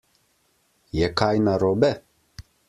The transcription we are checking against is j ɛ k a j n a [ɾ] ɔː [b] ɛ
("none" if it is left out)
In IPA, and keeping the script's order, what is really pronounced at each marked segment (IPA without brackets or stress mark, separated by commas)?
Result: ɾ, b